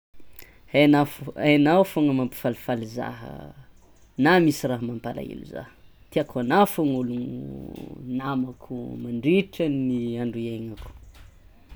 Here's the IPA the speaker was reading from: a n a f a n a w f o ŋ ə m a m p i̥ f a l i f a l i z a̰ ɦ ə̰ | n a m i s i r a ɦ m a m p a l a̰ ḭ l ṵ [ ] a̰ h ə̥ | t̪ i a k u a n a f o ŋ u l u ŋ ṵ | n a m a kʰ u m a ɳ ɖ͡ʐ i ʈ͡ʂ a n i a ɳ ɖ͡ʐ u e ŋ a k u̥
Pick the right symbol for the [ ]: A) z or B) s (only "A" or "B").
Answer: A